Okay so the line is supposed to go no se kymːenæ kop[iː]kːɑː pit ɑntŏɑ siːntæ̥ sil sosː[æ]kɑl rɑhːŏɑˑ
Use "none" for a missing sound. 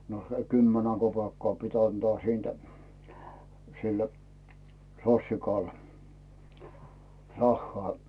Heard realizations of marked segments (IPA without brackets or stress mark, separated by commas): eː, i